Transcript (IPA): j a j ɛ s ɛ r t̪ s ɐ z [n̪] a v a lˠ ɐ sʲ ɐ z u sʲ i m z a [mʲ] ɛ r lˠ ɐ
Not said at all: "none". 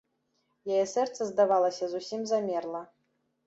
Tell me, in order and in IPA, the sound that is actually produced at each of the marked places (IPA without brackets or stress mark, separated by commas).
d̪, mʲ